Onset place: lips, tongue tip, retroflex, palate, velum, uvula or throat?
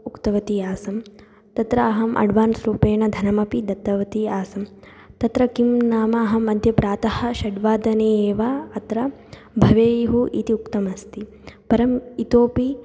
velum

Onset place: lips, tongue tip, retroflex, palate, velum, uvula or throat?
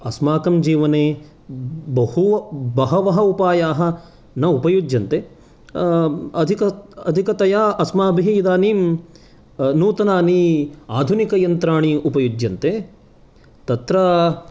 tongue tip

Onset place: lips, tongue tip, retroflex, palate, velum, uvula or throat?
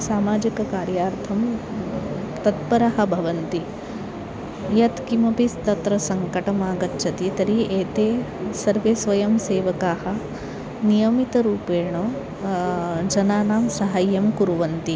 tongue tip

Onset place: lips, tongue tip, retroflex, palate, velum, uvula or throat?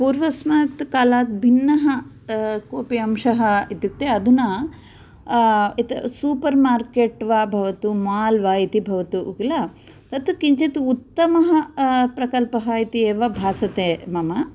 lips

